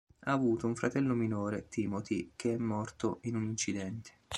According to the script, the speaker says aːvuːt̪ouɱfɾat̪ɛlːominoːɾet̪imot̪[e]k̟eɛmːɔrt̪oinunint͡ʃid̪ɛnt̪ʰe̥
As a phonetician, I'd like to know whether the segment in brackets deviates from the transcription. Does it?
yes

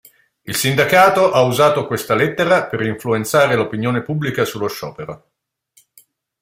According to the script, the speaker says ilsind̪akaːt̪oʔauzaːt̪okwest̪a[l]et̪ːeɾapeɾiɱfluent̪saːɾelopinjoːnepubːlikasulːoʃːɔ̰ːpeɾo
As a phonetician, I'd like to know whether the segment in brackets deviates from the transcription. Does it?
no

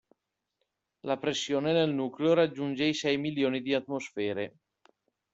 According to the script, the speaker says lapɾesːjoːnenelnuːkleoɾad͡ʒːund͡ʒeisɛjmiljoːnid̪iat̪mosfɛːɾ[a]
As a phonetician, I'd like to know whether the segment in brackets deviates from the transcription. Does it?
yes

